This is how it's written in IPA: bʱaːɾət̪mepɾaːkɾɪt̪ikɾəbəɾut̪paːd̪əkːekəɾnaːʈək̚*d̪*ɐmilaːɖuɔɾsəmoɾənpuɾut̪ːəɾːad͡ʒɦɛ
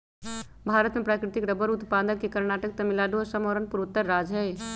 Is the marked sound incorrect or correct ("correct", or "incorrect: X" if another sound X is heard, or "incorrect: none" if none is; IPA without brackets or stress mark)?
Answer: incorrect: t̪